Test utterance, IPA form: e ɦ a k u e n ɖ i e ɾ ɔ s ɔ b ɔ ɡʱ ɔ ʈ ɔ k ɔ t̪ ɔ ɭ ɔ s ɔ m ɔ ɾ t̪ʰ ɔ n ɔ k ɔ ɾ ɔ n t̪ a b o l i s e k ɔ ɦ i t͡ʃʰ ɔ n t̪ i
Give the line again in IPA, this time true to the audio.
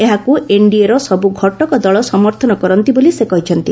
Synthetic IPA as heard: e ɦ a k u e ɳ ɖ i e ɾ ɔ s ɔ b u ɡʱ ɔ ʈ ɔ k ɔ d̪ ɔ ɭ ɔ s ɔ m ɔ ɾ t̪ʰ ɔ n ɔ k ɔ ɾ ɔ n t̪ i b o l i s e k ɔ ɦ i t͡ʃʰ ɔ n t̪ i

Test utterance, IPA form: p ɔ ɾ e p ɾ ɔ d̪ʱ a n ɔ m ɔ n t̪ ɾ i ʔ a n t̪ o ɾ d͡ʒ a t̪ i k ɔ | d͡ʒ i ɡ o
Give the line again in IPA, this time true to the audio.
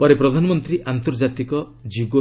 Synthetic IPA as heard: p ɔ ɾ e p ɾ ɔ d̪ʱ a n ɔ m ɔ n t̪ ɾ i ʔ a n t̪ o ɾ d͡ʒ a t̪ i k ɔ | d͡ʒ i ɡ o

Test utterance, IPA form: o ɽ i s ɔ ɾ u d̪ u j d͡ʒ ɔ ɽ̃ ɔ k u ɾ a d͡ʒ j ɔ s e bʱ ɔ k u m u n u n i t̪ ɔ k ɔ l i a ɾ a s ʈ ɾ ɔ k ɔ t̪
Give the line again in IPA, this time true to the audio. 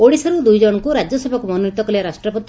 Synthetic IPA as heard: o ɽ i s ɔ ɾ u d̪ u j d͡ʒ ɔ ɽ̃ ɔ k u ɾ a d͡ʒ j ɔ s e bʱ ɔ k u m ɔ n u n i t̪ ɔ k ɔ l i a ɾ a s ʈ ɾ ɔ p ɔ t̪

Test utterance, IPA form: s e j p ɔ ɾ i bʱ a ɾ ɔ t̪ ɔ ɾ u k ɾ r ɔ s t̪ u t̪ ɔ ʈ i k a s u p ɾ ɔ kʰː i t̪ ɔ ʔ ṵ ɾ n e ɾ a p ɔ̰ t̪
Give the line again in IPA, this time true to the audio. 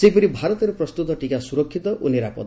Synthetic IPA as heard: s e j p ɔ ɾ i bʱ a ɾ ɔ t̪ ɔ ɾ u p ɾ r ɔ s t̪ u t̪ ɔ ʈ i k a s u ɾ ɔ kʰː i t̪ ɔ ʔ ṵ n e ɾ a p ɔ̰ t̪

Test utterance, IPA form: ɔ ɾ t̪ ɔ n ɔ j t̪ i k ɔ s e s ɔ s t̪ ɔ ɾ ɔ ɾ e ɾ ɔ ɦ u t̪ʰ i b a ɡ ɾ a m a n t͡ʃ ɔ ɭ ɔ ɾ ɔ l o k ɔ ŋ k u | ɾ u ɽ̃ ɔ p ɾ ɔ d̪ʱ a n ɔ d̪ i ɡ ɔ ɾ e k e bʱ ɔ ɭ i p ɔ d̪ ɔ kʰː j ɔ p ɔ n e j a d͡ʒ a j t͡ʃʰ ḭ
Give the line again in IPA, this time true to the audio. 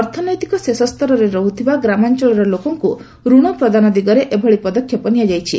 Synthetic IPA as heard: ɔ ɾ t̪ʰ ɔ n ɔ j t̪ i k ɔ s e s ɔ s t̪ ɔ ɾ ɔ ɾ e ɾ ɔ ɦ u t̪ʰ i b a ɡ ɾ a m a n t͡ʃ ɔ ɭ ɔ ɾ ɔ l o k ɔ ŋ k u | ɾ u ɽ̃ ɔ p ɾ ɔ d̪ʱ a n ɔ d̪ i ɡ ɔ ɾ e ʔ e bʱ ɔ ɭ i p ɔ d̪ ɔ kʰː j ɔ p ɔ n i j a d͡ʒ a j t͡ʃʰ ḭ

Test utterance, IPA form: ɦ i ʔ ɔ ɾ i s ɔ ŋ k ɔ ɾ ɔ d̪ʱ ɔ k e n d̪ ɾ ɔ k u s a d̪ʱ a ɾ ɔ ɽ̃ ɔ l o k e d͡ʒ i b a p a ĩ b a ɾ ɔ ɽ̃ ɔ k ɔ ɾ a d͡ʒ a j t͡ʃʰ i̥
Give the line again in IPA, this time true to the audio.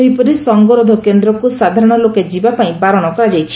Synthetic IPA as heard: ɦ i p ɔ ɾ i s ɔ ŋ ɡ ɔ ɾ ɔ d̪ʱ ɔ k e n d̪ ɾ ɔ k u s a d̪ʱ a ɾ ɔ ɽ̃ ɔ l o k e d͡ʒ i b a p a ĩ b a ɾ ɔ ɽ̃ ɔ k ɔ ɾ a d͡ʒ a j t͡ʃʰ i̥

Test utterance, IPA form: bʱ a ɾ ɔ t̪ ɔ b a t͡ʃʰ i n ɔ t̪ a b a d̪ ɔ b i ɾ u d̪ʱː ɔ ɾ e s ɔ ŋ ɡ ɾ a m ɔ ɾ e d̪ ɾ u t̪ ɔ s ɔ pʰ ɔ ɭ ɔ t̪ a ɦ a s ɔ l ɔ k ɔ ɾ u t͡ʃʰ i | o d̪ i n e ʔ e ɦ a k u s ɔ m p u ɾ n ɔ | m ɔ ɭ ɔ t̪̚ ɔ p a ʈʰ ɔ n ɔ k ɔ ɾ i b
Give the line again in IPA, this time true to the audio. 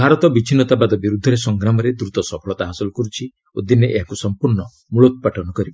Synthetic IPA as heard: bʱ a ɾ ɔ t̪ ɔ b i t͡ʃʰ i n ɔ t̪ a b a d̪ ɔ b i ɾ u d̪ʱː ɔ ɾ e s ɔ ŋ ɡ ɾ a m ɔ ɾ e d̪ ɾ u t̪ ɔ s ɔ pʰ ɔ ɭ ɔ t̪ a ɦ a s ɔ l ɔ k ɔ ɾ u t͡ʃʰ i | o d̪ i n e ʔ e ɦ a k u s ɔ m p u ɾ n ɔ | m u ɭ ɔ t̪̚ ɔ p a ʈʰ ɔ n ɔ k ɔ ɾ i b

